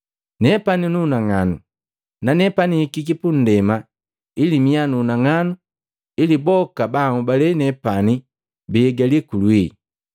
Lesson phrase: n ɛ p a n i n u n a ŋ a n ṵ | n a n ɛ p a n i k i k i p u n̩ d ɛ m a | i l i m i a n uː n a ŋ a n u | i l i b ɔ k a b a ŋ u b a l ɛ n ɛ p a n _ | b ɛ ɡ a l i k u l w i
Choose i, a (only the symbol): i